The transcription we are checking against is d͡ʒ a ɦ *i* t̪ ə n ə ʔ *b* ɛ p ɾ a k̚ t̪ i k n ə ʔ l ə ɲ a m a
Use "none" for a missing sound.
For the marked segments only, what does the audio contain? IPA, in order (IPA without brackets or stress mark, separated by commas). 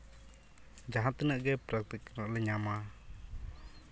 a, ɡ